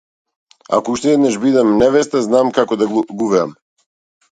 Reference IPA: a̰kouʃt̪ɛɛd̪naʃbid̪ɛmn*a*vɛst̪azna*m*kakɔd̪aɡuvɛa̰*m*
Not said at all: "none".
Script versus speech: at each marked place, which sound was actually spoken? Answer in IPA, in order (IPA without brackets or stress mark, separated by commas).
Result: ɛ, m, m